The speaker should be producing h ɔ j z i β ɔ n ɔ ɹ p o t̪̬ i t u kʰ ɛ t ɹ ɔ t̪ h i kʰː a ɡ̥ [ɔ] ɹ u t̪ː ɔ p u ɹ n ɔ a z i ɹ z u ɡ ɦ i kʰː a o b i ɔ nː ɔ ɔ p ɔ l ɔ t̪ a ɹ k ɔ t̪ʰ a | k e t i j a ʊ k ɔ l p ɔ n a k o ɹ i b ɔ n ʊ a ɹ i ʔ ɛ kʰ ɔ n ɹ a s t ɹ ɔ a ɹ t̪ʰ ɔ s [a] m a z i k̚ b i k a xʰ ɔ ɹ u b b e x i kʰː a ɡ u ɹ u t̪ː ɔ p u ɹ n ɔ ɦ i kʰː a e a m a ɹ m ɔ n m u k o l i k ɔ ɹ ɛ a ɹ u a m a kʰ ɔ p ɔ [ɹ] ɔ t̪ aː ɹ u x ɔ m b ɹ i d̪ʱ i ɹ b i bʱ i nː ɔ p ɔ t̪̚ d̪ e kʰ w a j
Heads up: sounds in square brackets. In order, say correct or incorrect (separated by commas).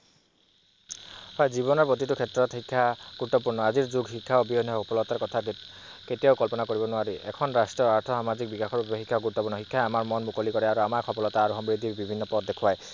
incorrect, correct, incorrect